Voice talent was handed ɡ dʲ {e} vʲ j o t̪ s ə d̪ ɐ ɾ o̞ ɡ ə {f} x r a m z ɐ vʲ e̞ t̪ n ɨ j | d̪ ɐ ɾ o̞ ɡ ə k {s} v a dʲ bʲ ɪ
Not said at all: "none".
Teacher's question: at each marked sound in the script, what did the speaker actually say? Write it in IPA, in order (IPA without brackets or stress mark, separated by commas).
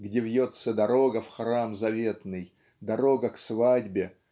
e, f, s